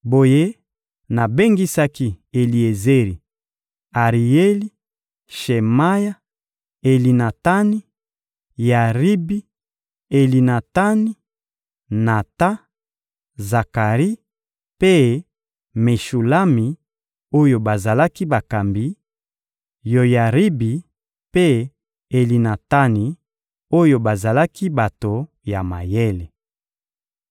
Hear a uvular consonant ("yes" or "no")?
yes